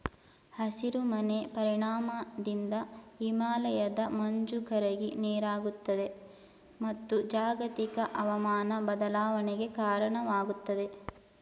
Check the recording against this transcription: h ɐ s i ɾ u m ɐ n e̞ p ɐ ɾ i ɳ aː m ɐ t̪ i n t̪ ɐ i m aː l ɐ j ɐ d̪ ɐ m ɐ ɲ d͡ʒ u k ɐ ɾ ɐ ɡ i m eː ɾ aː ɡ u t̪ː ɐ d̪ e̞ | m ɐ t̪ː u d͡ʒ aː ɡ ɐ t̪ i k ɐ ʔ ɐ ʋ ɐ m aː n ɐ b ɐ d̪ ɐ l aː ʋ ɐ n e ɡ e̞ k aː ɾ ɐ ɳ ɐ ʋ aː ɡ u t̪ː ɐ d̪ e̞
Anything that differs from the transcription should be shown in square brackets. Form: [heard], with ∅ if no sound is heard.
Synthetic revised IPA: h ɐ s i ɾ u m ɐ n e̞ p ɐ ɾ i ɳ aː m ɐ [d̪] i n [d̪] ɐ i m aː l ɐ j ɐ d̪ ɐ m ɐ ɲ d͡ʒ u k ɐ ɾ ɐ ɡ i [n] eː ɾ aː ɡ u t̪ː ɐ d̪ e̞ | m ɐ t̪ː u d͡ʒ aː ɡ ɐ t̪ i k ɐ ʔ ɐ ʋ ɐ m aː n ɐ b ɐ d̪ ɐ l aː ʋ ɐ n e ɡ e̞ k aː ɾ ɐ ɳ ɐ ʋ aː ɡ u t̪ː ɐ d̪ e̞